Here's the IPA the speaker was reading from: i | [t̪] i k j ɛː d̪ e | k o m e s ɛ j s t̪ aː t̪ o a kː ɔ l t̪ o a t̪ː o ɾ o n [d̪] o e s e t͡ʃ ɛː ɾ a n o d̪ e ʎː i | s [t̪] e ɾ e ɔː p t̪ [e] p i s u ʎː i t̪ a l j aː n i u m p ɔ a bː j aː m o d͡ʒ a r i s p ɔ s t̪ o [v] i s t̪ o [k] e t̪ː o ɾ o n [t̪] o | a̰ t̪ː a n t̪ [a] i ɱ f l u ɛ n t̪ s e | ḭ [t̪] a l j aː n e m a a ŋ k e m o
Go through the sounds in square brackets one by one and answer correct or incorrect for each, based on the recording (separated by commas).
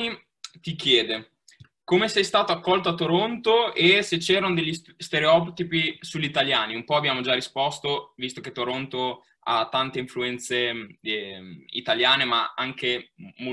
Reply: correct, incorrect, correct, incorrect, correct, correct, correct, incorrect, correct